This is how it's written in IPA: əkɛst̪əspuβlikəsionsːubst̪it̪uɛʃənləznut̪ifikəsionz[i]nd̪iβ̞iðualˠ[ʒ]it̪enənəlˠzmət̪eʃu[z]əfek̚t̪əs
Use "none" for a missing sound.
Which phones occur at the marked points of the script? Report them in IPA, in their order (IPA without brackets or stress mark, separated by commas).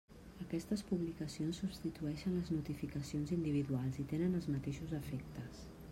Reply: i, z, z